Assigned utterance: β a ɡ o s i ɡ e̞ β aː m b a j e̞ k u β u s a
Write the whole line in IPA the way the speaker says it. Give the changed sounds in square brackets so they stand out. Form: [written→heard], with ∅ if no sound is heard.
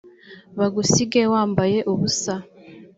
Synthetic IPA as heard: β a ɡ [o→u] s i ɡ e̞ [β→w] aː m b a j e̞ [k→ʔ] u β u s a